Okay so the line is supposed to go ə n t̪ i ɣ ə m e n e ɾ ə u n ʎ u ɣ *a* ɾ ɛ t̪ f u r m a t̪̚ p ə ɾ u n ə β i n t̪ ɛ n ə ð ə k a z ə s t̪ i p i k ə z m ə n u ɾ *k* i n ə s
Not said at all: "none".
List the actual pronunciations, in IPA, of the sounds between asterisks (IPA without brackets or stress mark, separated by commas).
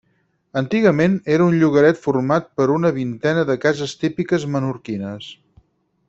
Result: ə, k